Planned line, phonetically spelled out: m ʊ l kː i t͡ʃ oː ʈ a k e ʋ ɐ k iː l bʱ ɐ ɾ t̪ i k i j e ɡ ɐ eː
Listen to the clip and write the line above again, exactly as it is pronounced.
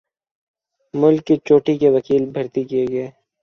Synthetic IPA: m ʊ l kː i t͡ʃ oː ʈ i k e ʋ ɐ k iː l bʱ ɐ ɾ t̪ i k i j e ɡ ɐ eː

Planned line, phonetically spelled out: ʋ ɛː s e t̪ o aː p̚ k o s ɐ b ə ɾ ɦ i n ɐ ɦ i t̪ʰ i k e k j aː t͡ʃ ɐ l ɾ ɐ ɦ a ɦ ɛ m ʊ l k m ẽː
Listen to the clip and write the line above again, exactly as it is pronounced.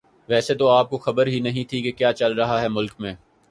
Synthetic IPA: ʋ ɛː s e t̪ o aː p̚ k o x ɐ b ə ɾ ɦ i n ɐ ɦ ĩ t̪ʰ i k e k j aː t͡ʃ ɐ l ɾ ɐ ɦ a ɦ ɛ m ʊ l k m ẽː

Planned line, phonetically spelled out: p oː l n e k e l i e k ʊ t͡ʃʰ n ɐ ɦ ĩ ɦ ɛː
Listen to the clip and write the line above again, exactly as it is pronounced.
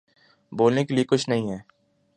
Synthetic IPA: b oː l n e k e l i e k ʊ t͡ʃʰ n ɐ ɦ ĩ ɦ ɛː

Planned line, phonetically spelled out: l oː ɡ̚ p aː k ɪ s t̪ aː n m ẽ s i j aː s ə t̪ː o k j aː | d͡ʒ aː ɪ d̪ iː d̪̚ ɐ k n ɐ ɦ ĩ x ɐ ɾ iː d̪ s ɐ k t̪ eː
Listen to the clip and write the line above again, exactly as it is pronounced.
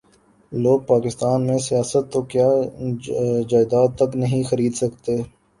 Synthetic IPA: l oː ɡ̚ p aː k ɪ s t̪ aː n m ẽ s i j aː s ə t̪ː o k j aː | d͡ʒ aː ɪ d̪ aː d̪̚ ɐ k n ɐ ɦ ĩ x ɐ ɾ iː d̪ s ɐ k t̪ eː

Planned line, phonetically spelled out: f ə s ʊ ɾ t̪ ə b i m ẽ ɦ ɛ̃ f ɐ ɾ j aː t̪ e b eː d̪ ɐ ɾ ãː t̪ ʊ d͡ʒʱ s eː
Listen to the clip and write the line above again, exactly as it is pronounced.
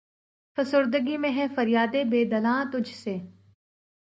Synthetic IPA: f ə s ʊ ɾ d̪ ə ɡ i m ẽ ɦ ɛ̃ f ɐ ɾ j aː d̪ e b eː d̪ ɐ l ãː t̪ ʊ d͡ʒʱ s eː

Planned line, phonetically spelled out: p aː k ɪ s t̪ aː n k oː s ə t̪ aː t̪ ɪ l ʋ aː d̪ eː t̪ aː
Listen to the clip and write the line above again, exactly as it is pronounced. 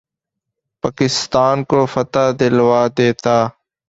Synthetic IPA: p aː k ɪ s t̪ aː n k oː f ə t̪ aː d̪ ɪ l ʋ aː d̪ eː t̪ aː

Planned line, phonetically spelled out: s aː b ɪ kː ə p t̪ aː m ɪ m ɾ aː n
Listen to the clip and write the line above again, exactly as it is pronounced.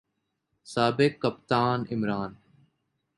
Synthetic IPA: s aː b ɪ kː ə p t̪ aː n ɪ m ɾ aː n

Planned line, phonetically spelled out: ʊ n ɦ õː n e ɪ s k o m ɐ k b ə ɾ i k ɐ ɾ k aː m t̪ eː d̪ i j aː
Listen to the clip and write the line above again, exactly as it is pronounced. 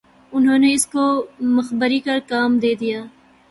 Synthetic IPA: ʊ n ɦ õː n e ɪ s k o m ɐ x b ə ɾ i k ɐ ɾ k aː m d̪ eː d̪ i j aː

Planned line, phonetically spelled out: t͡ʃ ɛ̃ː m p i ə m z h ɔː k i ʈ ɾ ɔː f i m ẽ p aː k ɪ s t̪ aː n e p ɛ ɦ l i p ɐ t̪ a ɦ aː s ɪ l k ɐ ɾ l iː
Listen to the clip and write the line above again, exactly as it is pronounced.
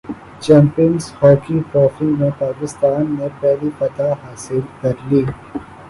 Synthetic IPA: t͡ʃ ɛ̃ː m p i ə n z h ɔː k i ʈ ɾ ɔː f i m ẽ p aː k ɪ s t̪ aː nː e p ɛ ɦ l i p ɐ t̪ a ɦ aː s ɪ l k ɐ ɾ l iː

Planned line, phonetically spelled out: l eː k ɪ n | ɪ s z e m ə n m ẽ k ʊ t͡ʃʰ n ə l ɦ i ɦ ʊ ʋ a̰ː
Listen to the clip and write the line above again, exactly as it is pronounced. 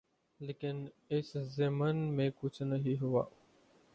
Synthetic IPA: l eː k ɪ n | ɪ s z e m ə n m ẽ k ʊ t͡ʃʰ n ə ɦ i ɦ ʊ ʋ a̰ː

